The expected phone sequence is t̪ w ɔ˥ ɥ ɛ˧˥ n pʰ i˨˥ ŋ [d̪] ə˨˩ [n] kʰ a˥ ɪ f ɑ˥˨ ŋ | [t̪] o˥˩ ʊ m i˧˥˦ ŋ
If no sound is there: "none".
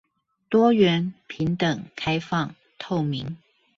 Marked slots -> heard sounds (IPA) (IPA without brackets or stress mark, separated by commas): t̪, ŋ, t̪ʰ